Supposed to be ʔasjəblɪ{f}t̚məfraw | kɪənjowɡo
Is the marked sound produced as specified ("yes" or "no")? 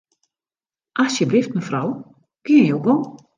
yes